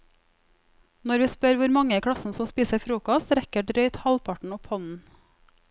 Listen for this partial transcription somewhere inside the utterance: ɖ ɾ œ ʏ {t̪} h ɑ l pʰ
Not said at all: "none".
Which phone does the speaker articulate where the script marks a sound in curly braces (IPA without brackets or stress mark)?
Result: t̪